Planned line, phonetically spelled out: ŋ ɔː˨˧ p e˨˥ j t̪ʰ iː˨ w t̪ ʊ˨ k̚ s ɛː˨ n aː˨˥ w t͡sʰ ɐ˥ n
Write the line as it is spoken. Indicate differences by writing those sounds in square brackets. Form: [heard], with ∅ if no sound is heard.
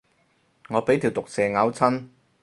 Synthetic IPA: ŋ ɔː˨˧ p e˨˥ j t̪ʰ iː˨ w t̪ ʊ˨ k̚ s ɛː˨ [ŋ] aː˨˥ w t͡sʰ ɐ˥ n

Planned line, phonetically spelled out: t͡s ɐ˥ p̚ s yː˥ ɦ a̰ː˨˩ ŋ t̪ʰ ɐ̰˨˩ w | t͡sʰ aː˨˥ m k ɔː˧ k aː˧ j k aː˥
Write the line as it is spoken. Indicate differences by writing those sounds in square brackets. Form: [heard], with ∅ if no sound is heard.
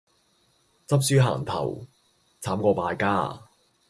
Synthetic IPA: t͡s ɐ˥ p̚ s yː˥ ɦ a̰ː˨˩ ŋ t̪ʰ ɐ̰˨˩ w | t͡sʰ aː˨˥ m k ɔː˧ [p] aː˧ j k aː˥

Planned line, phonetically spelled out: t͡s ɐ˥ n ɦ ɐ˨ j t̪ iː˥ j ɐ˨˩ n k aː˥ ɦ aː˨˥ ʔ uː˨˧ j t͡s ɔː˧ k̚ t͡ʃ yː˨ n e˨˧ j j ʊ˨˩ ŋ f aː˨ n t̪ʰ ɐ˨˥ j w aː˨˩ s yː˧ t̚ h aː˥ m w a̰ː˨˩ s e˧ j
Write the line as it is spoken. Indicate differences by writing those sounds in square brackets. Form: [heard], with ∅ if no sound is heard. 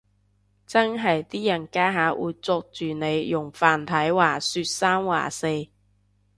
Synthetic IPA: t͡s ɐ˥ n ɦ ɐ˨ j t̪ iː˥ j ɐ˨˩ n k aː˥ ɦ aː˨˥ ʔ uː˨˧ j t͡s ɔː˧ k̚ t͡ʃ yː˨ n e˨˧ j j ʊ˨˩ ŋ f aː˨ n t̪ʰ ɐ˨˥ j w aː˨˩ s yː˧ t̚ [s] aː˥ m w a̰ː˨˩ s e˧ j

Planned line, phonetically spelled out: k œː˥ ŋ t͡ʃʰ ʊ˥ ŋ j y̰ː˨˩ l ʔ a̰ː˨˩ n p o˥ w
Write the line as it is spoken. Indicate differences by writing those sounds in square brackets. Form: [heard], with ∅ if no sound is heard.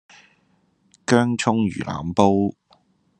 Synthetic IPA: k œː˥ ŋ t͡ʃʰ ʊ˥ ŋ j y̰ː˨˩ l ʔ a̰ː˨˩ [m] p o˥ w

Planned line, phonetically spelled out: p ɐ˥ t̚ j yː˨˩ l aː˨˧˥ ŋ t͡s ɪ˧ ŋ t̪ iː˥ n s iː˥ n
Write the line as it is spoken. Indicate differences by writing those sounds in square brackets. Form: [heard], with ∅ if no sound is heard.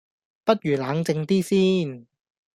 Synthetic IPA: p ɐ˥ t̚ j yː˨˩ l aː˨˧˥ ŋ t͡s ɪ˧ ŋ t̪ iː˥ [∅] s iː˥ n

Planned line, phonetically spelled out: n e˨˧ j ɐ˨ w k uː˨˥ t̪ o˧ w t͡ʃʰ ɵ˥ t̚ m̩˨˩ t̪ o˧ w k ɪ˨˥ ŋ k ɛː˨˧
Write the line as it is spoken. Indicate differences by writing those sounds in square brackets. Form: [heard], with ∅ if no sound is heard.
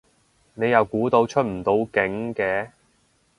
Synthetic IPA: n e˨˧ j ɐ˨ w k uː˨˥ t̪ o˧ w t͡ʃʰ ɵ˥ t̚ m̩˨˩ t̪ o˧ w k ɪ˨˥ ŋ k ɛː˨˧

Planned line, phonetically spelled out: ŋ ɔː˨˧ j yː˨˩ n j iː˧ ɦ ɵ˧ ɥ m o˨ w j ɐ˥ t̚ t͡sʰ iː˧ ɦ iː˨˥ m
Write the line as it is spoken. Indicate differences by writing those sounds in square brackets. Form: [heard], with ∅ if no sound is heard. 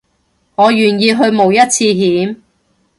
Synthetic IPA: ŋ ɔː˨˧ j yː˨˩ n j iː˧ ɦ ɵ˧ ɥ m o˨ w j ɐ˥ t̚ t͡sʰ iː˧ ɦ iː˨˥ m

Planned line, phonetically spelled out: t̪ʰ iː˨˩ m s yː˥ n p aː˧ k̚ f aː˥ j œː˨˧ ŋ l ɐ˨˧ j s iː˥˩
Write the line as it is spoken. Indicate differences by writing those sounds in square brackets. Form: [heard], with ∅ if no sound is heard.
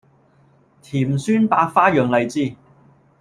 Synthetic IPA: t̪ʰ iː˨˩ m s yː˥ n p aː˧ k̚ f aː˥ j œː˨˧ ŋ l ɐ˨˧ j [t͡s] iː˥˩

